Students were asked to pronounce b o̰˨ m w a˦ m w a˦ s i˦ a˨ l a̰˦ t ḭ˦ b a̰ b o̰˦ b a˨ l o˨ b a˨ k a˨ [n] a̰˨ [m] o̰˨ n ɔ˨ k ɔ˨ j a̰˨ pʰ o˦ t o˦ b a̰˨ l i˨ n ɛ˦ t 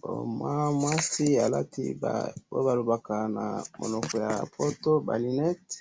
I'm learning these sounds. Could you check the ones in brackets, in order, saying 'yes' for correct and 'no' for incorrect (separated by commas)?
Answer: yes, yes